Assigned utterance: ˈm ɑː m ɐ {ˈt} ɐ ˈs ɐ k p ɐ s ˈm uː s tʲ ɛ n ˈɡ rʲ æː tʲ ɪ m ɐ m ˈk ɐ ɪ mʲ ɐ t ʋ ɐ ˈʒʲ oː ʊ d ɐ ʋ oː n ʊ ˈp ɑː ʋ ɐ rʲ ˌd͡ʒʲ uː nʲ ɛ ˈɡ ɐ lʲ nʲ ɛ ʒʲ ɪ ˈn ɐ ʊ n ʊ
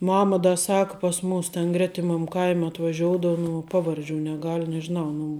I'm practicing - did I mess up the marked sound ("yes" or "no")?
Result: yes